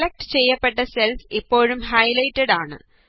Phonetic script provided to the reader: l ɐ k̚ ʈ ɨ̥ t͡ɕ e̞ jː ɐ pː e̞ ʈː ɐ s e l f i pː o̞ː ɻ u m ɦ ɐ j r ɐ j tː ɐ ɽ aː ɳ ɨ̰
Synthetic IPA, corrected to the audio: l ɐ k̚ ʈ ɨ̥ t͡ɕ e̞ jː ɐ pː e̞ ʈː ɐ s e l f i pː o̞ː ɻ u m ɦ ɐ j l ɐ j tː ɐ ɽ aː ɳ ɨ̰